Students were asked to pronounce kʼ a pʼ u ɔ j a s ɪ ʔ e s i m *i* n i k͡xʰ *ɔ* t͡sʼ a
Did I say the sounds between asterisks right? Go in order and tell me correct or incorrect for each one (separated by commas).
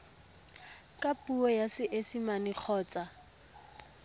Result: incorrect, incorrect